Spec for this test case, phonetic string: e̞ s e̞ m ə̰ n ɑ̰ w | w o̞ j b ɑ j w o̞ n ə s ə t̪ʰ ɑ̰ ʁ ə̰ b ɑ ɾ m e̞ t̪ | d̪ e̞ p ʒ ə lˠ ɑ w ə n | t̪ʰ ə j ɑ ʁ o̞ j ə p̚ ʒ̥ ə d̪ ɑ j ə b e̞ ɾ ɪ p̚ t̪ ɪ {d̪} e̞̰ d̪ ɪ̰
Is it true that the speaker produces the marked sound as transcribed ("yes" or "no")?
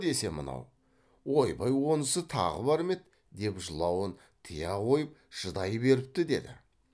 yes